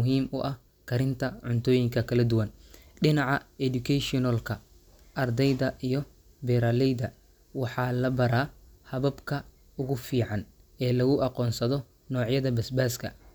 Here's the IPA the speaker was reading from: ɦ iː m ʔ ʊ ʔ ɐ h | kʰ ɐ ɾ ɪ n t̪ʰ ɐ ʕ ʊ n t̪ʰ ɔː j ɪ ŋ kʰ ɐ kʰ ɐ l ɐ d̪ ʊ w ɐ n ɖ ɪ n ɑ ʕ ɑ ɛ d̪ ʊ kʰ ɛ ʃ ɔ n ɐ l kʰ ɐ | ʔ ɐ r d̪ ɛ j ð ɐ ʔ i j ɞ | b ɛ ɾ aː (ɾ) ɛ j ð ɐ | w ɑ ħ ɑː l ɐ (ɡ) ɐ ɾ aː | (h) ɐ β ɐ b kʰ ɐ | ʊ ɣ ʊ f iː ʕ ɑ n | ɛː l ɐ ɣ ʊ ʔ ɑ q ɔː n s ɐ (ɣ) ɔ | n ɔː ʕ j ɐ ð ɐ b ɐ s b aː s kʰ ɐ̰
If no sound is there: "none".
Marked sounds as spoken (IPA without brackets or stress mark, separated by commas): l, b, h, ð